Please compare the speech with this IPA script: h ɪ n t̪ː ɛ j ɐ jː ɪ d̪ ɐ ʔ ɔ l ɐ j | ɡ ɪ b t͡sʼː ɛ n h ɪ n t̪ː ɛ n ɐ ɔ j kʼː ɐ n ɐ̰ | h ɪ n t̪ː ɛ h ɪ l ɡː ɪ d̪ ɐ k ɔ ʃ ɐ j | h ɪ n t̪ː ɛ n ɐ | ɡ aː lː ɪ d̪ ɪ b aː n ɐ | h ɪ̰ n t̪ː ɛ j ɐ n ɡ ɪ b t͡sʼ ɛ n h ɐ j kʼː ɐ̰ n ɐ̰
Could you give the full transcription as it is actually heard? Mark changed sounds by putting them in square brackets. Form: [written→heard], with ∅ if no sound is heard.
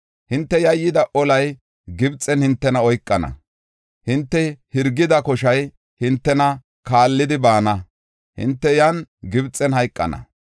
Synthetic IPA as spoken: h ɪ n t̪ː ɛ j ɐ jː ɪ d̪ ɐ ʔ ɔ l ɐ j | ɡ ɪ b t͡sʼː ɛ n h ɪ n t̪ː ɛ n ɐ ɔ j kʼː ɐ n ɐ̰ | h ɪ n t̪ː ɛ h ɪ [l→ɾ] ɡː ɪ d̪ ɐ k ɔ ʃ ɐ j | h ɪ n t̪ː ɛ n ɐ | [ɡ→k] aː lː ɪ d̪ ɪ b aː n ɐ | h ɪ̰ n t̪ː ɛ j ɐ n ɡ ɪ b t͡sʼ ɛ n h ɐ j kʼː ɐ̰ n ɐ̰

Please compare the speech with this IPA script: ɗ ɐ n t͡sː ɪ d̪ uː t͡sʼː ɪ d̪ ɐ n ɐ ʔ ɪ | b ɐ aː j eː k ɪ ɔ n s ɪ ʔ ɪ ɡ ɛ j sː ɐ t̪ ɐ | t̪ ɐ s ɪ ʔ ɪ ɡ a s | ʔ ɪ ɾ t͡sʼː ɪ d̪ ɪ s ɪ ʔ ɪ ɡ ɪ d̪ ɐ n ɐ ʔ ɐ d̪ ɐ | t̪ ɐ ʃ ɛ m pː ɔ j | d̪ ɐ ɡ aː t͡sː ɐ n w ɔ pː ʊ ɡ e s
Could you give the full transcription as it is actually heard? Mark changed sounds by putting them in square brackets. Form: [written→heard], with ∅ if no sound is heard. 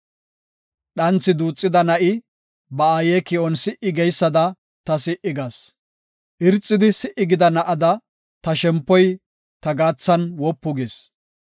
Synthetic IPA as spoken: ɗ ɐ n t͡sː ɪ d̪ uː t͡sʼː ɪ d̪ ɐ n ɐ ʔ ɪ | b ɐ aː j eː k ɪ ɔ n s ɪ ʔ ɪ ɡ ɛ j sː ɐ [t̪→d̪] ɐ | t̪ ɐ s ɪ ʔ ɪ ɡ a s | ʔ ɪ ɾ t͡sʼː ɪ d̪ ɪ s ɪ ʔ ɪ ɡ ɪ d̪ ɐ n ɐ ʔ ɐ d̪ ɐ | t̪ ɐ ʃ ɛ m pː ɔ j | [d̪→t̪] ɐ ɡ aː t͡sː ɐ n w ɔ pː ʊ ɡ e s

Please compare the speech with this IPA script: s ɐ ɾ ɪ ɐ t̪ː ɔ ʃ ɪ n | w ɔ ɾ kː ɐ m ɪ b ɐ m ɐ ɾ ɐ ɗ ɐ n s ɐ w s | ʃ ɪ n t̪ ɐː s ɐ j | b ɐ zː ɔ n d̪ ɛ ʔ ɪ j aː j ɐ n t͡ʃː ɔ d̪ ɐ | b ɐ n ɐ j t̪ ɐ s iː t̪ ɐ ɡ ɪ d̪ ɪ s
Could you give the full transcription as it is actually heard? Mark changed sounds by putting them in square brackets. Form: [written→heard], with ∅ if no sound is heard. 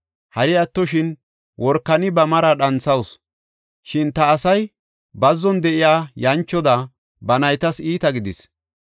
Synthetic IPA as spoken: [s→h] ɐ ɾ ɪ ɐ t̪ː ɔ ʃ ɪ n | w ɔ ɾ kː ɐ [m→n] ɪ b ɐ m ɐ ɾ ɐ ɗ ɐ n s ɐ w s | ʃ ɪ n t̪ ɐː s ɐ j | b ɐ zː ɔ n d̪ ɛ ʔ ɪ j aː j ɐ n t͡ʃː ɔ d̪ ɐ | b ɐ n ɐ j t̪ ɐ s iː t̪ ɐ ɡ ɪ d̪ ɪ s

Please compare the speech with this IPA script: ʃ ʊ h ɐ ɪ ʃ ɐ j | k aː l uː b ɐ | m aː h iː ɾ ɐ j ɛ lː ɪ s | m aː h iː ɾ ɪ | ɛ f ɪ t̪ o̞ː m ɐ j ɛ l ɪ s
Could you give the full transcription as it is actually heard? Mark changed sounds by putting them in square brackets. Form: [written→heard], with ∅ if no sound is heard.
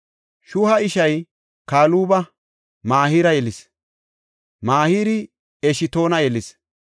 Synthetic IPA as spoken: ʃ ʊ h ɐ ɪ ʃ ɐ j | k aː l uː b ɐ | m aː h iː ɾ ɐ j ɛ [lː→l] ɪ s | m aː h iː ɾ ɪ | ɛ [f→ʃ] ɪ t̪ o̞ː [m→n] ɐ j ɛ l ɪ s

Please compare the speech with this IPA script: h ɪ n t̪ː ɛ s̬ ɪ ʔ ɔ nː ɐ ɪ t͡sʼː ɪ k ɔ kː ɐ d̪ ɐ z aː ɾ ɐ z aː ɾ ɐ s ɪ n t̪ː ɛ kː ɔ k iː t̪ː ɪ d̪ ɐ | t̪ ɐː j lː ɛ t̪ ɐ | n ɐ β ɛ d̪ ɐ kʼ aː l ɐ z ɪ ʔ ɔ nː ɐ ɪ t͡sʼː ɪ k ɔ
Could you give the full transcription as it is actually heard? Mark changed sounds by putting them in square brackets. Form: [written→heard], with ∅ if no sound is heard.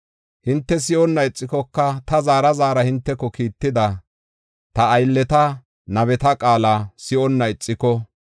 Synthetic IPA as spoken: h ɪ n t̪ː ɛ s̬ ɪ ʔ ɔ nː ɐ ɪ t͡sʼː ɪ k ɔ kː ɐ [d̪→t̪] ɐ z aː ɾ ɐ z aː ɾ ɐ [s→h] ɪ n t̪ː ɛ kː ɔ k iː t̪ː ɪ d̪ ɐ | t̪ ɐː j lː ɛ t̪ ɐ | n ɐ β ɛ [d̪→t̪] ɐ kʼ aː l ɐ [z→s] ɪ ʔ ɔ nː ɐ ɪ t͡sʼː ɪ k ɔ

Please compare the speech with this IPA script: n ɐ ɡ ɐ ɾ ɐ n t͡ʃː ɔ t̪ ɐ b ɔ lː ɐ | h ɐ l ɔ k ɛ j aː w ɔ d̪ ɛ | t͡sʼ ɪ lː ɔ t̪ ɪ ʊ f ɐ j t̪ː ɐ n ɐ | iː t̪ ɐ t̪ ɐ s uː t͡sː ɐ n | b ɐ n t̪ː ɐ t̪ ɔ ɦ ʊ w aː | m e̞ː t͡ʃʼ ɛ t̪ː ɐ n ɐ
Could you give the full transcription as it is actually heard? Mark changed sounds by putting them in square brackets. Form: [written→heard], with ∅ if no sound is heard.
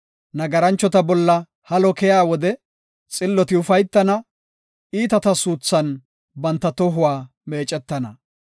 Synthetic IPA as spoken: n ɐ ɡ ɐ ɾ ɐ n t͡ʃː ɔ t̪ ɐ b ɔ lː ɐ | h ɐ l ɔ k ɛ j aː w ɔ d̪ ɛ | t͡sʼ ɪ lː ɔ t̪ ɪ ʊ f ɐ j t̪ː ɐ n ɐ | iː t̪ ɐ t̪ ɐ s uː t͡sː ɐ n | b ɐ n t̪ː ɐ t̪ ɔ ɦ ʊ w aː | m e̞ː t͡ʃʼ ɛ t̪ː ɐ n ɐ

